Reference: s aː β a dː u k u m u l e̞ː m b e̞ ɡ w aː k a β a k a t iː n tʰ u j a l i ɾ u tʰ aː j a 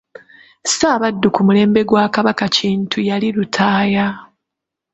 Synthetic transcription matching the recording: s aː β a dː u k u m u l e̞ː m b e̞ ɡ w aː k a β a k a c iː n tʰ u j a l i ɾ u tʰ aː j a

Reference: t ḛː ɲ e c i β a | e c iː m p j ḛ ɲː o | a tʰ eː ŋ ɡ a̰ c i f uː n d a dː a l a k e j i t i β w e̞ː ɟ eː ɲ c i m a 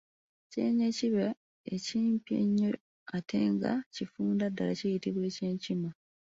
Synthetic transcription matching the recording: c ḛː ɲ e c i β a | e c iː m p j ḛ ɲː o | a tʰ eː ŋ ɡ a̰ c i f uː n d a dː a l a c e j i t i β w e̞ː c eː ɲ c i m a

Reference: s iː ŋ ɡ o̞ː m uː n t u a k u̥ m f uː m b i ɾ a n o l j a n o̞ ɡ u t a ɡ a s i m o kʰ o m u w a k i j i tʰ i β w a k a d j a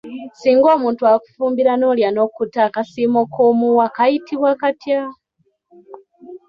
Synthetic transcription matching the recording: s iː ŋ ɡ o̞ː m uː n t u a k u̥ f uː m b i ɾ a n o l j a n o̞ k u t a k a s i m o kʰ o m u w a k a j i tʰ i β w a k a t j a

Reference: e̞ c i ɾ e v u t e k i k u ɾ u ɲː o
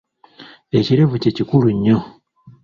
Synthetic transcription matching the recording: e̞ c i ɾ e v u c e c i k u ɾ u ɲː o

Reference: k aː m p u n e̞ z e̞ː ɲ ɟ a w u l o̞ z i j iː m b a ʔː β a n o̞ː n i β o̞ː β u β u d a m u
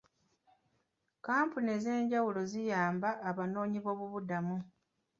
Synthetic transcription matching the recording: k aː m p u n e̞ z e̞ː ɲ ɟ a w u l o̞ z i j aː m b a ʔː β a n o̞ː ɲ i β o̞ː β u β u d a m u

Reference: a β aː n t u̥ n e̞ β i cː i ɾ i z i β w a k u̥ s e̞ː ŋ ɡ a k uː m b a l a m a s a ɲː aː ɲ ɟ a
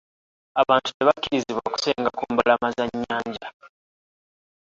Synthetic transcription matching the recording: a β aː n t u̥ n e̞ β a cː i ɾ i z i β w a k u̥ s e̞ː ŋ ɡ a k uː m b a l a m a z a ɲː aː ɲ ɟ a

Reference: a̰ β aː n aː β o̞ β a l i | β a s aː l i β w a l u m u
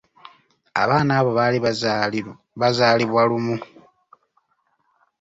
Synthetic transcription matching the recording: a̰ β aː n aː β o̞ β a l i | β a z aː l i β w a l u m u

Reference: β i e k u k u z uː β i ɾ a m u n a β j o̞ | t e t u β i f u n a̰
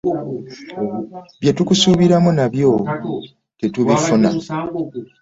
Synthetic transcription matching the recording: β j e t u k u s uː β i ɾ a m u n a β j o̞ | t e t u β i f u n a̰

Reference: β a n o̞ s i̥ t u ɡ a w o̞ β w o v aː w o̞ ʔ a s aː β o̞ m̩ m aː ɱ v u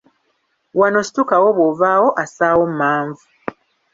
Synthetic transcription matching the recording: w a n o̞ s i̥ t u k a w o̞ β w o v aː w o̞ ʔ a s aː w o̞ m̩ m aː ɱ v u

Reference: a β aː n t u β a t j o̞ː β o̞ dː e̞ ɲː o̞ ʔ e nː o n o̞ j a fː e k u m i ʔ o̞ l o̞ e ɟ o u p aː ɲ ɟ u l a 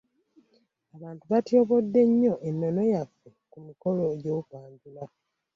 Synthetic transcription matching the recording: a β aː n t u β a t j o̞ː β o̞ dː e̞ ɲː o̞ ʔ e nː o n o̞ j a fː e k u m i k o̞ l o̞ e ɟ o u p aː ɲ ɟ u l a

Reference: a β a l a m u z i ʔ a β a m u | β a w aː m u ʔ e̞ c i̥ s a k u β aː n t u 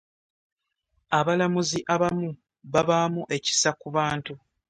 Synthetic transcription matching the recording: a β a l a m u z i ʔ a β a m u | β a β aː m u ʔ e̞ c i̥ s a k u β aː n t u

